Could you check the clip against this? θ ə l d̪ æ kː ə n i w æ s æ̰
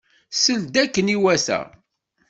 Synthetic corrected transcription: s ə l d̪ æ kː ə n i w æ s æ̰